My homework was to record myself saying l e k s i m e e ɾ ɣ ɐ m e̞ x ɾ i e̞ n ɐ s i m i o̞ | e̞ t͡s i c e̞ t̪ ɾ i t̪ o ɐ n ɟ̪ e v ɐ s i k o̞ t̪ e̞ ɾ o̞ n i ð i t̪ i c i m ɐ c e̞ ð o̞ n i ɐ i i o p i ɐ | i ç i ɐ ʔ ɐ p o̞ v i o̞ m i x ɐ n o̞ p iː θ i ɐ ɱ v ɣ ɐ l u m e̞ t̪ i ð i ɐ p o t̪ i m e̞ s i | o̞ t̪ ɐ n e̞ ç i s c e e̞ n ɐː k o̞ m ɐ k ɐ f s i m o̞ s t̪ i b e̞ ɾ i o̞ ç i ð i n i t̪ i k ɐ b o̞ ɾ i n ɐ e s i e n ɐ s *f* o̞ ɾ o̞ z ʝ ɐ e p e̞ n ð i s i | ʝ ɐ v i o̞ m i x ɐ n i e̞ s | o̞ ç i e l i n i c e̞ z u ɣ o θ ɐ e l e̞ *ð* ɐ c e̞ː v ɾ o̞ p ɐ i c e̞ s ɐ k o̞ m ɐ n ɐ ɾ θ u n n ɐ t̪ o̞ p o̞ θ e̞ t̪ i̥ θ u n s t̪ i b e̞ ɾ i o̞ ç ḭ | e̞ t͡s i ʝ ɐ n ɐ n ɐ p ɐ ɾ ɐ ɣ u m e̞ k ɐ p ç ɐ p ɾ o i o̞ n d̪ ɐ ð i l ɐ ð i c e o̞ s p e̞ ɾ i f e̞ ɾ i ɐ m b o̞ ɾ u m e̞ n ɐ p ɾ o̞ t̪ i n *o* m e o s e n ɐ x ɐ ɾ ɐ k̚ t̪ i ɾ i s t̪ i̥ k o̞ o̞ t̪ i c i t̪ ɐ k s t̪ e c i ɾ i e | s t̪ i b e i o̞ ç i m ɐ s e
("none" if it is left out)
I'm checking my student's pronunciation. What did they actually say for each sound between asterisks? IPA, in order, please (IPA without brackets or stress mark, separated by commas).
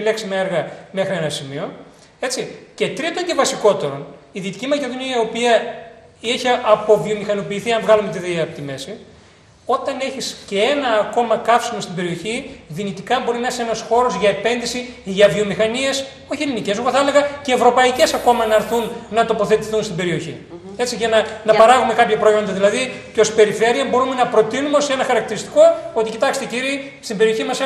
x, ɣ, u